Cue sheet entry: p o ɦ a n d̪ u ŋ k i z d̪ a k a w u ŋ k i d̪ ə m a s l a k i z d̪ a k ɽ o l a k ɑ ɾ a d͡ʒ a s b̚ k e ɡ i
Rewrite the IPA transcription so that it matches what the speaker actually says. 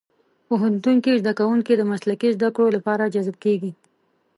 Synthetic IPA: p o ɦ a n t̪ u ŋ k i z d̪ a k a w u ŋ k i d̪ ə m a s l a k i z d̪ a k ɽ o l a p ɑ ɾ a d͡ʒ a z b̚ k e ɡ i